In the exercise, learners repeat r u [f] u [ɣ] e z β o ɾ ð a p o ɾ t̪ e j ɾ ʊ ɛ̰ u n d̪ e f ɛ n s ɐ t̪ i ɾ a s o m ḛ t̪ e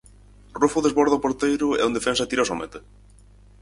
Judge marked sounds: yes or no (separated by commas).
yes, no